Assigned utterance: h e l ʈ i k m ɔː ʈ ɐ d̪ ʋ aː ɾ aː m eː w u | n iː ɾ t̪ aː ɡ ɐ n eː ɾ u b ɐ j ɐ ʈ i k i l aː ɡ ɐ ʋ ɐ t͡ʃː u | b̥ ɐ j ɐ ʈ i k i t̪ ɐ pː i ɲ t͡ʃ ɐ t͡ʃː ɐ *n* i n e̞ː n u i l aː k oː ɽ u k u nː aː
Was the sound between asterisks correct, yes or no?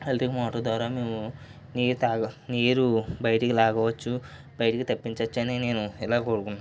yes